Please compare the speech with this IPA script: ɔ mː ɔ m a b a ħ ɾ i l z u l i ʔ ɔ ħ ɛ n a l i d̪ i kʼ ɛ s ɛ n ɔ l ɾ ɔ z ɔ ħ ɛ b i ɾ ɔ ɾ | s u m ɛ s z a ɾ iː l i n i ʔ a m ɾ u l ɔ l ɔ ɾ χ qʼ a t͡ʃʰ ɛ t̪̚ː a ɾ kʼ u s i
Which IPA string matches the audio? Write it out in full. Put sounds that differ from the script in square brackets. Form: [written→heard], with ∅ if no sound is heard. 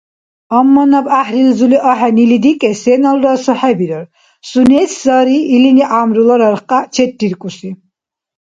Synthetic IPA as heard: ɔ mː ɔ [m→n] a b a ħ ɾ i l z u l i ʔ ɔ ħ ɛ n [a→i] l i d̪ i kʼ ɛ s ɛ n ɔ l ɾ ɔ [z→s] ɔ ħ ɛ b i ɾ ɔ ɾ | s u [m→n] ɛ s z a ɾ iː l i n i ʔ a m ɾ u l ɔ [l→ɾ] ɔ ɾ χ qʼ a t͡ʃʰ ɛ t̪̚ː [a→i] ɾ kʼ u s i